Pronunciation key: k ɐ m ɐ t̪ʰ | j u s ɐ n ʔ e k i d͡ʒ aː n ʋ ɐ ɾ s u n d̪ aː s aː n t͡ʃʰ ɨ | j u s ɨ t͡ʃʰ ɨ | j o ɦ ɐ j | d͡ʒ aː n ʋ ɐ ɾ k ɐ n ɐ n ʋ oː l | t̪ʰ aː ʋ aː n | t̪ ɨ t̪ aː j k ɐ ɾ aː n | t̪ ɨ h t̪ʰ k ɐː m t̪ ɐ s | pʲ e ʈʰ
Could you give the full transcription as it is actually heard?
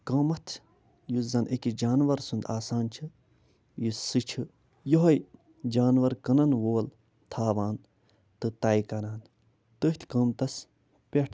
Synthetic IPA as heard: k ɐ m ɐ t̪ʰ | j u z ɐ n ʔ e k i d͡ʒ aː n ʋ ɐ ɾ s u n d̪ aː s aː n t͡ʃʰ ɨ | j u s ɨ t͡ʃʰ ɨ | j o ɦ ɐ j | d͡ʒ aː n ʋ ɐ ɾ k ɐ n ɐ n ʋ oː l | t̪ʰ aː ʋ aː n | t̪ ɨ t̪ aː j k ɐ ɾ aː n | t̪ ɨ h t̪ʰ k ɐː m t̪ ɐ s | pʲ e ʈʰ

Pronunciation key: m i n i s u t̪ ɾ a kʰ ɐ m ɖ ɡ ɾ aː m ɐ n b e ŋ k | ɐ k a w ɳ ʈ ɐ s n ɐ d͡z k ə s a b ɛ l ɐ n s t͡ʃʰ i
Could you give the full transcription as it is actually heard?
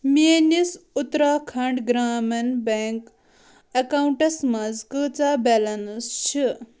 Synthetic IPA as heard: m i n i s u t̪ ɾ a kʰ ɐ ɳ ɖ ɡ ɾ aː m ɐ n b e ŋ k | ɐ k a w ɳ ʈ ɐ s m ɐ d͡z k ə t͡s a b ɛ l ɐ n s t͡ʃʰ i

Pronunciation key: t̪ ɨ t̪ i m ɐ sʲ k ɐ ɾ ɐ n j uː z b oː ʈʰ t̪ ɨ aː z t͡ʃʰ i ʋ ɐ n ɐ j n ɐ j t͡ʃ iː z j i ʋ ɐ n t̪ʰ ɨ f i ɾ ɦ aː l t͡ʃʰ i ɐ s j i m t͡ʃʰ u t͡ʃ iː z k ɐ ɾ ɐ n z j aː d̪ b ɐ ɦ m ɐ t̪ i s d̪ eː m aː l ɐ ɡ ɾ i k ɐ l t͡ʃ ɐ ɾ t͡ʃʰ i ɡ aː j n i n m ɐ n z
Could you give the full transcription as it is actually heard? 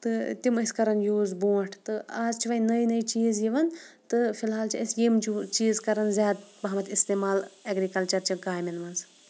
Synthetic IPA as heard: t̪ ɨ t̪ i m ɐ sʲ k ɐ ɾ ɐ n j uː z b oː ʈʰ t̪ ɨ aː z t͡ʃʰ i ʋ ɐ n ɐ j n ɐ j t͡ʃ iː z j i ʋ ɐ n t̪ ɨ f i l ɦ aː l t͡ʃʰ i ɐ s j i m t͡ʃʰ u t͡ʃ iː z k ɐ ɾ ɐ n z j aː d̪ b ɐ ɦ m ɐ t̪ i s t̪ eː m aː l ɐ ɡ ɾ i k ɐ l t͡ʃ ɐ ɾ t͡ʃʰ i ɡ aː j m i n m ɐ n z

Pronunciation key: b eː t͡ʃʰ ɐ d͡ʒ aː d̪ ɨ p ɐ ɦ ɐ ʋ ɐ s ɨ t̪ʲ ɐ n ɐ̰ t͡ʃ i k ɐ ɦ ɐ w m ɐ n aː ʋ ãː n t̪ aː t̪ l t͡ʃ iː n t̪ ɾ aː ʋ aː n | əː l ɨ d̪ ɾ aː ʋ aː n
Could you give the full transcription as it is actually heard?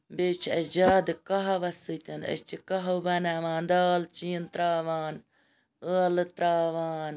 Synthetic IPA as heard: b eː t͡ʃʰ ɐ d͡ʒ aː d̪ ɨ k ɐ ɦ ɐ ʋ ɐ s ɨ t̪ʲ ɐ n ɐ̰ t͡ʃ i k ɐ ɦ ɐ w b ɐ n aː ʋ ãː n d̪ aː l t͡ʃ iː n t̪ ɾ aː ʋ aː n | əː l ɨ t̪ ɾ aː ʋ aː n

